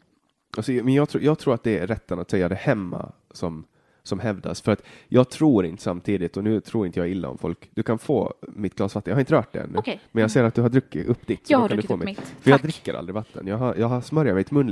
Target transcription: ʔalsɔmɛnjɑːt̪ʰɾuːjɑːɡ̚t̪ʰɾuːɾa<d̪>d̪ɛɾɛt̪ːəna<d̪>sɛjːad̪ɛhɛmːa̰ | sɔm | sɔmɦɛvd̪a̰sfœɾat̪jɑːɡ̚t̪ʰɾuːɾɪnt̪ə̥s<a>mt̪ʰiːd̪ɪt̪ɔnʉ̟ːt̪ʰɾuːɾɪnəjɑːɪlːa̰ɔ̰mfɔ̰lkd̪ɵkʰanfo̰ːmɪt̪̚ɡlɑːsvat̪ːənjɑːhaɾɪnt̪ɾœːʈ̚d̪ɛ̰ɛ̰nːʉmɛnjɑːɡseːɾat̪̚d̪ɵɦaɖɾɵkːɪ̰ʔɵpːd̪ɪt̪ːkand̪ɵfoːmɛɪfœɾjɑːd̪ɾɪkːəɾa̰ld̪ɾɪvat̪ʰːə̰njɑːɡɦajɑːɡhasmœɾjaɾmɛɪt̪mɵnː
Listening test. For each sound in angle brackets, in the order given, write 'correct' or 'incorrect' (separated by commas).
incorrect, incorrect, correct